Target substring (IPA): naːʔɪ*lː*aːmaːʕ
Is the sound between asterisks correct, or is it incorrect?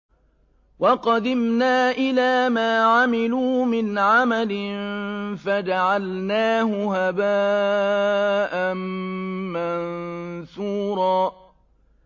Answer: incorrect